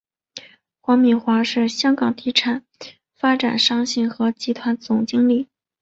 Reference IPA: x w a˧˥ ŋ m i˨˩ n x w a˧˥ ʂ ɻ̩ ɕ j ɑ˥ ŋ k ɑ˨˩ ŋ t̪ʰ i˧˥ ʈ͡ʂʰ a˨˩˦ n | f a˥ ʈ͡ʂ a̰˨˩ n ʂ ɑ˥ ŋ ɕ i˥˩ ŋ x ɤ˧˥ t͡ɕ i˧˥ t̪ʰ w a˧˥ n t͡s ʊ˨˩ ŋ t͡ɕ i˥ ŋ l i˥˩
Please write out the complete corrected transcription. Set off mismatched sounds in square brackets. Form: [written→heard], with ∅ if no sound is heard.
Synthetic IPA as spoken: x w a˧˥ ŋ m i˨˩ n x w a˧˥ ʂ ɻ̩ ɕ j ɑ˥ ŋ k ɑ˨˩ ŋ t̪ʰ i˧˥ ʈ͡ʂʰ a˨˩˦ n | f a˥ ʈ͡ʂ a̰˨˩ n ʂ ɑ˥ ŋ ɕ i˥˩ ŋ x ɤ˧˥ t͡ɕ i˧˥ t̪ʰ w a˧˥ n t͡s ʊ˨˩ ŋ t͡ɕ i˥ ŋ l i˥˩